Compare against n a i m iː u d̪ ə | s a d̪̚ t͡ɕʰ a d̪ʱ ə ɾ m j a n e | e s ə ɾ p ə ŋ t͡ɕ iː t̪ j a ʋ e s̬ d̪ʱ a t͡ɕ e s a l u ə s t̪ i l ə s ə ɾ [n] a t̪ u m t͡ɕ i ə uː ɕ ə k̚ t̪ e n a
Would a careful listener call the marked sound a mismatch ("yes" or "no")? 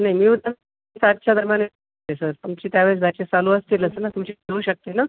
no